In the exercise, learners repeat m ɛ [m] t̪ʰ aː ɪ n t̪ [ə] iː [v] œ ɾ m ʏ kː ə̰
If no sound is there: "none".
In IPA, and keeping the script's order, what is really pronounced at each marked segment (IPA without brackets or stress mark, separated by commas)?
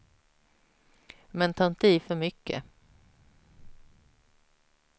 n, ə, f